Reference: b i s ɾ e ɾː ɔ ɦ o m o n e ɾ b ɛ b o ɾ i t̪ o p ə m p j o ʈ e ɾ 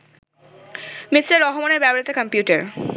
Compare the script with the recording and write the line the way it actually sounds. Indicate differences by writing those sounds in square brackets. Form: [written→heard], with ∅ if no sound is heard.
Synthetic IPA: [b→m] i s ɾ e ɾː ɔ ɦ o m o n e ɾ b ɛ b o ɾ i t̪ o [p→k] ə m p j [o→u] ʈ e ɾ